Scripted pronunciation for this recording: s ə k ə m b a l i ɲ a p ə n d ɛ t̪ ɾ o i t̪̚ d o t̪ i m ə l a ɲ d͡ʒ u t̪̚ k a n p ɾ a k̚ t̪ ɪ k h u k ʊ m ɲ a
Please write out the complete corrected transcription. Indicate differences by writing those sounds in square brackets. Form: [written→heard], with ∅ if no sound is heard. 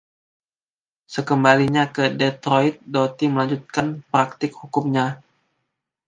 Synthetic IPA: s ə k ə m b a l i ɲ a [p→k] ə [n→∅] d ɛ t̪ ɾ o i t̪̚ d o t̪ i m ə l a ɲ d͡ʒ u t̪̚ k a n p ɾ a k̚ t̪ ɪ k h u k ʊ m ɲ a